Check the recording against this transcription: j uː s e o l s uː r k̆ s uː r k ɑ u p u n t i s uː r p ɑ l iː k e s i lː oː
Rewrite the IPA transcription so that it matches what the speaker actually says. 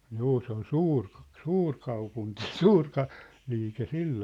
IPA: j uː s e o l s uː r k̆ s uː r k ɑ u p u n t i s uː r k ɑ l iː k e s i lː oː